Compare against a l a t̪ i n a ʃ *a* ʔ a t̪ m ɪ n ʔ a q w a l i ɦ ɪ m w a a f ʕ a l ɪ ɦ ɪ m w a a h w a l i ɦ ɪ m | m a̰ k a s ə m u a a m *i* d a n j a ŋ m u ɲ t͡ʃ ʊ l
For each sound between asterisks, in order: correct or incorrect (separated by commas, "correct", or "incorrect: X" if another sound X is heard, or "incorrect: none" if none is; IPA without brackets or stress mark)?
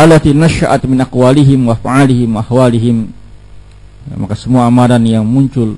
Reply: correct, incorrect: a